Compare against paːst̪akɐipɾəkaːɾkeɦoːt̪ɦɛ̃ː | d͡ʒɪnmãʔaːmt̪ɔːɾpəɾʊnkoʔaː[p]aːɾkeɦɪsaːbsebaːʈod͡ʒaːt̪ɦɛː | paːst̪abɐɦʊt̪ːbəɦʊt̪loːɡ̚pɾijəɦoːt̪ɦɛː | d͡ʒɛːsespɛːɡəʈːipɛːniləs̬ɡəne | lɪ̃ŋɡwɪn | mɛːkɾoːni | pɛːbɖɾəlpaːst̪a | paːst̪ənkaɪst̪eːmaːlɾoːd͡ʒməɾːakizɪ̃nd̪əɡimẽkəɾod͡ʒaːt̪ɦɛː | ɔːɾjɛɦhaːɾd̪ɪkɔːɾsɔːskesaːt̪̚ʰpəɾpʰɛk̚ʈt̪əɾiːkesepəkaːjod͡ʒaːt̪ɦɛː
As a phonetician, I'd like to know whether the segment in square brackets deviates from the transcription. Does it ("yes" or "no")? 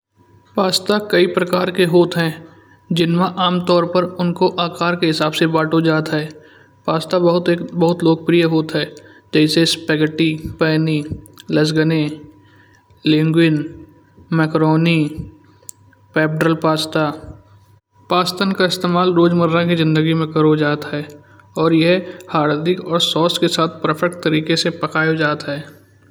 yes